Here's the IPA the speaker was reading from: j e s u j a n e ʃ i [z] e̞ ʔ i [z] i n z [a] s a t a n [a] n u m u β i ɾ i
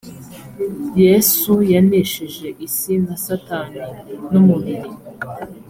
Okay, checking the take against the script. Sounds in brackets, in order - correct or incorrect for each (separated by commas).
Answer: incorrect, incorrect, correct, incorrect